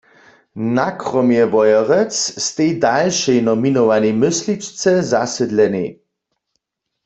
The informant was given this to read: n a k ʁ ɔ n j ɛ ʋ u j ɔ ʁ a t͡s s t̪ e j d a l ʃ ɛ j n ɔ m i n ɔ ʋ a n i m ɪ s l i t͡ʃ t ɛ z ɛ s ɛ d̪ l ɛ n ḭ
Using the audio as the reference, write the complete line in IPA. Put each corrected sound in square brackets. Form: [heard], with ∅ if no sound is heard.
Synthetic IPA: n a k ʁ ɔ [m] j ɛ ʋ [ɔ] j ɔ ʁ [ɛ] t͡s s t̪ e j d a l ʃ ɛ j n ɔ m i n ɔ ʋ a n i m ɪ s l i t͡ʃ [t͡s] ɛ z [a] s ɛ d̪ l ɛ n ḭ